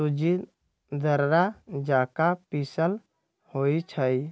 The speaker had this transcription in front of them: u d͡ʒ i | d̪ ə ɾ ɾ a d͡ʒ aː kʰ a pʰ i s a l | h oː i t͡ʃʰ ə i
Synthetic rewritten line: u d͡ʒ i | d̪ ə ɾ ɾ a d͡ʒ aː k a p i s ə l | h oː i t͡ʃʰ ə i